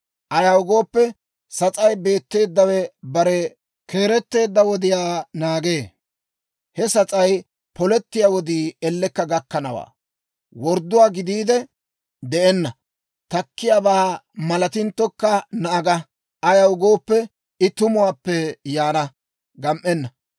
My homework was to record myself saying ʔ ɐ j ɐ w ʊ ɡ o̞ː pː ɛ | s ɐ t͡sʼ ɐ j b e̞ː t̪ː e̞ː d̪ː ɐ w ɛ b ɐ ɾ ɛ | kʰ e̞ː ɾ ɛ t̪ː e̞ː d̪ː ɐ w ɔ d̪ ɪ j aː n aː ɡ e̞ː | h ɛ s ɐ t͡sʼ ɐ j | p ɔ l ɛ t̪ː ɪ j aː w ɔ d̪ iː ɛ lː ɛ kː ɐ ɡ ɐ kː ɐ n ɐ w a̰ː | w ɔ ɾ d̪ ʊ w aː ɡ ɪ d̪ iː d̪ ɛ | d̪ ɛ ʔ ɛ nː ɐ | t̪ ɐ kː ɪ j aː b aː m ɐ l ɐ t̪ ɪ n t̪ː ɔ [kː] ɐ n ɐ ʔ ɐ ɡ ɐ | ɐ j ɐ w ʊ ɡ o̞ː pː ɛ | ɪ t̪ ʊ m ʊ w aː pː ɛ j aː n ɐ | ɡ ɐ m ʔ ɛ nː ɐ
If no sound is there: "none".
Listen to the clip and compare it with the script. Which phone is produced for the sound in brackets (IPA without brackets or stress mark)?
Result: kː